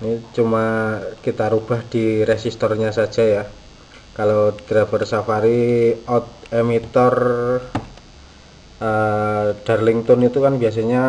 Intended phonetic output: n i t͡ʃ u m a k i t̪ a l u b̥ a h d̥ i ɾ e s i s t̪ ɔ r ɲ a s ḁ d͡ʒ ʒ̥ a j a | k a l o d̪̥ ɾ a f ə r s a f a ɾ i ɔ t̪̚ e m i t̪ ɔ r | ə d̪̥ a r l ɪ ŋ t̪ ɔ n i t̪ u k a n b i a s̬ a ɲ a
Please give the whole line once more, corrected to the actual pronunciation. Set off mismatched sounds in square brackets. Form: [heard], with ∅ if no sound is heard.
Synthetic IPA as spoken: n i t͡ʃ u m a k i t̪ a [ɾ] u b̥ a h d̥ i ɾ e s i s t̪ ɔ r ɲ a s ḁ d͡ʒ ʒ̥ a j a | k a l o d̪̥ ɾ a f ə r s a f a ɾ i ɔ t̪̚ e m i t̪ ɔ r | ə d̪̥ a r l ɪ ŋ t̪ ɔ n i t̪ u k a n b i a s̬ a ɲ a